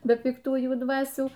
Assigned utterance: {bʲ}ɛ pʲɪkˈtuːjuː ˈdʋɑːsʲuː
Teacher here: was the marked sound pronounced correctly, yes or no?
yes